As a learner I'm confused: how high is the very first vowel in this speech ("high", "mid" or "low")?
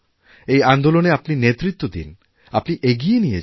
mid